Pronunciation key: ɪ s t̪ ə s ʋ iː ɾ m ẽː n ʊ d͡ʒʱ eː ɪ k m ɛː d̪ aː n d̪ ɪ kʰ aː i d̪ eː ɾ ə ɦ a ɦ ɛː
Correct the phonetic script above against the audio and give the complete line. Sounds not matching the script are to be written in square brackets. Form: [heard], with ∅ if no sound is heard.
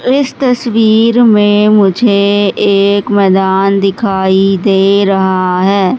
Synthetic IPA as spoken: ɪ s t̪ ə s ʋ iː ɾ m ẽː [m] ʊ d͡ʒʱ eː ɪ k m ɛː d̪ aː n d̪ ɪ kʰ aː i d̪ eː ɾ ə ɦ a ɦ ɛː